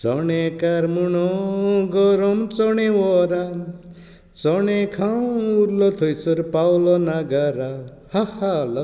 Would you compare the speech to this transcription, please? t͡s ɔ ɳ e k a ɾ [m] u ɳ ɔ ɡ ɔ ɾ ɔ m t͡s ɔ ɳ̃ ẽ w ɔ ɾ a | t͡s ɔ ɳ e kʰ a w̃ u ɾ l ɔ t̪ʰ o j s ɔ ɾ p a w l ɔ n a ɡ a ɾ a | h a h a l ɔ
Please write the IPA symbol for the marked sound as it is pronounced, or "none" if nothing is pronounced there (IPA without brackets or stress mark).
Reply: m